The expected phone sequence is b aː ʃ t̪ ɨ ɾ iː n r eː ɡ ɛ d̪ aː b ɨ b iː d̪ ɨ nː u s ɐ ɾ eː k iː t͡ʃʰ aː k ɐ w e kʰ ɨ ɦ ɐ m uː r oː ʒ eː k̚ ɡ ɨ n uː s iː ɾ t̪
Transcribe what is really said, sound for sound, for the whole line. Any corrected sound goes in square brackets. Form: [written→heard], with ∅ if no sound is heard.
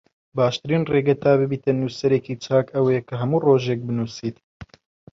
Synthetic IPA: b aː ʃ t̪ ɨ ɾ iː n r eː ɡ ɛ [d̪→t̪] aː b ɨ b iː [d̪→t̪] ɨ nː u s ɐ ɾ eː k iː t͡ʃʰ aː k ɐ w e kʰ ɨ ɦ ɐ m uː r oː ʒ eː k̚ [ɡ→b] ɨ n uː s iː [ɾ→∅] t̪